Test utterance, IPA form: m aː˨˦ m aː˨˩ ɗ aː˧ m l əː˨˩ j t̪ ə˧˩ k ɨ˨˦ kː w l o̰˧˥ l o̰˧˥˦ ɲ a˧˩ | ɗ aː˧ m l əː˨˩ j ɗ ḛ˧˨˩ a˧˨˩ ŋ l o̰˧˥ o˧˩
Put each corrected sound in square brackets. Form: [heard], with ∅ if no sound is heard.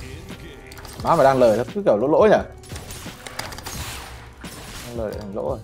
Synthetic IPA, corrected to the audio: m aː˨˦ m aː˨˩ ɗ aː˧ [ŋ] l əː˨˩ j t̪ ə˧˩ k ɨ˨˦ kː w l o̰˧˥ l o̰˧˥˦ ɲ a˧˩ | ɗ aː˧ [ŋ] l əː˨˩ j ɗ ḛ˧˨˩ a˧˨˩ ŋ l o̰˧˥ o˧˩